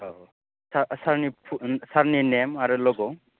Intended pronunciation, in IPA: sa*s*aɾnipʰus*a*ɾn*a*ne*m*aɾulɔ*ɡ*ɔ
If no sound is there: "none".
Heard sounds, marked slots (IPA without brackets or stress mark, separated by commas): s, a, i, m, ɡ